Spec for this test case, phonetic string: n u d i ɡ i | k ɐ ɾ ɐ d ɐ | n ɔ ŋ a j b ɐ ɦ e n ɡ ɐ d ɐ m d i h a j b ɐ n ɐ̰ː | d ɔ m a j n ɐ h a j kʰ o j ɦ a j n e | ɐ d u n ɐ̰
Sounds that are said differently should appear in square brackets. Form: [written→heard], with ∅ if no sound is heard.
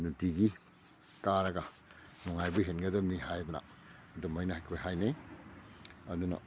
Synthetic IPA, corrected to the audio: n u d i ɡ i | k [ɐ→a] ɾ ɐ [d→ɡ] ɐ | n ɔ ŋ a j b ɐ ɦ e n ɡ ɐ d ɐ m [d→n] i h a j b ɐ n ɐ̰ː | d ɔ m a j n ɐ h a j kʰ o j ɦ a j n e | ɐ d u n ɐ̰